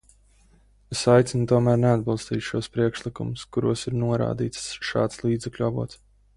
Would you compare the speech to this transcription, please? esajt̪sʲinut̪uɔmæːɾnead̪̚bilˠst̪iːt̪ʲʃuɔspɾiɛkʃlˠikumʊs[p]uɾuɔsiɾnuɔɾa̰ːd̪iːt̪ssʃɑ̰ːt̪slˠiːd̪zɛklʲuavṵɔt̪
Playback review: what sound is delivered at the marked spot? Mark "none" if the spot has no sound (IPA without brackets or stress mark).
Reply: k